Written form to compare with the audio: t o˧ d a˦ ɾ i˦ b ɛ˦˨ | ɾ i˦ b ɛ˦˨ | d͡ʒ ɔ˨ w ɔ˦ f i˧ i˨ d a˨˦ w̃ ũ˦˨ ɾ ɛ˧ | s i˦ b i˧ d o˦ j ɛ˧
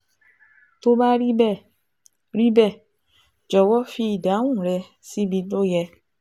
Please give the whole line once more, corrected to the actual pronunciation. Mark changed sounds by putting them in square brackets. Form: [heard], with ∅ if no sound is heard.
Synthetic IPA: t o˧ [b] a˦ ɾ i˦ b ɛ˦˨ | ɾ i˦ b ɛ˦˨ | d͡ʒ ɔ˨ w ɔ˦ f i˧ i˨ d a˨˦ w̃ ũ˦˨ ɾ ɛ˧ | s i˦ b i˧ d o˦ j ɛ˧